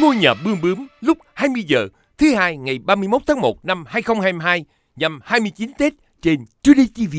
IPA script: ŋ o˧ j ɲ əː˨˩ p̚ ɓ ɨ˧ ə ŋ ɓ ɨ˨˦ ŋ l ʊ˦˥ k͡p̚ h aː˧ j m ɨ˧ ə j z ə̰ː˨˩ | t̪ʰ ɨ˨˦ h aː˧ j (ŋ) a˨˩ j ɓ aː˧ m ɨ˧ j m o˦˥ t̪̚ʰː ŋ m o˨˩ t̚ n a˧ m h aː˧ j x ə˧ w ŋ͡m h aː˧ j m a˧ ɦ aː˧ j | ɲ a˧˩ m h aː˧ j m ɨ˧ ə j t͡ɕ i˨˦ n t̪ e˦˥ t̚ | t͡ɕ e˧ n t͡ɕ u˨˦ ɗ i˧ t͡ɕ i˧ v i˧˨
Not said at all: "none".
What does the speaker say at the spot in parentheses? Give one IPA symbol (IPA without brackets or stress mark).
ŋ